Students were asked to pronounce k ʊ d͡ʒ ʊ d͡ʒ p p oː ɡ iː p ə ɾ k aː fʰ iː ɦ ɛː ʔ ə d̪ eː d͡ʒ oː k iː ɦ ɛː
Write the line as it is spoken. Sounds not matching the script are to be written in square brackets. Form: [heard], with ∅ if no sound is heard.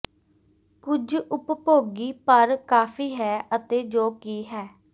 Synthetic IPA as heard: k ʊ d͡ʒ ʊ [∅] p p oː ɡ iː p ə ɾ k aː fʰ iː ɦ ɛː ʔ ə [t̪] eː d͡ʒ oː k iː ɦ ɛː